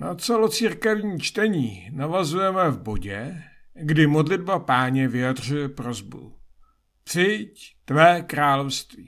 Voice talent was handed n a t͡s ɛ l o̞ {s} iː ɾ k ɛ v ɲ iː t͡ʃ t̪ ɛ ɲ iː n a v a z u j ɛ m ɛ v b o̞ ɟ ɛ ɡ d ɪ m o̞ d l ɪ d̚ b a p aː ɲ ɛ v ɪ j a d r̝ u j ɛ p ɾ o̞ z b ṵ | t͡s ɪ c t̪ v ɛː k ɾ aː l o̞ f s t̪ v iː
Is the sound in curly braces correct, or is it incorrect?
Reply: incorrect